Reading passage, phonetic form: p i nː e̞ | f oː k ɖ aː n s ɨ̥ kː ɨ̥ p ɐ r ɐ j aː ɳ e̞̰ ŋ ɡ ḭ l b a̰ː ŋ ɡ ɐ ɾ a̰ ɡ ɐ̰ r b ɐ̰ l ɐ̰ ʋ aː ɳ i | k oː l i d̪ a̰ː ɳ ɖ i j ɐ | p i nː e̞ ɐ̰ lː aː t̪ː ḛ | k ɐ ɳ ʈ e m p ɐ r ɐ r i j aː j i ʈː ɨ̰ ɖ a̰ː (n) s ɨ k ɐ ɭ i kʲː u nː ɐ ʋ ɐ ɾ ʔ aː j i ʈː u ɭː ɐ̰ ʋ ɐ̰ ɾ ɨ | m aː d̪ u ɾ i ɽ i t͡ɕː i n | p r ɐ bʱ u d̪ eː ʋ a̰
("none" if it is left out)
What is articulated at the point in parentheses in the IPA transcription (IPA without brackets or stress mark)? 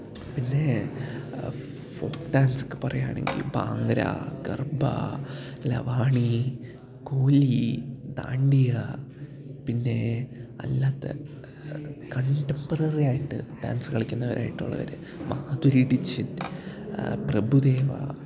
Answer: n